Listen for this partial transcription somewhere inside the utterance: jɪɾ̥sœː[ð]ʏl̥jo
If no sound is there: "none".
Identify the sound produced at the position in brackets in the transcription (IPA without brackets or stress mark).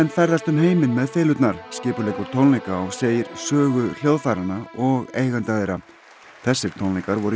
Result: ɣ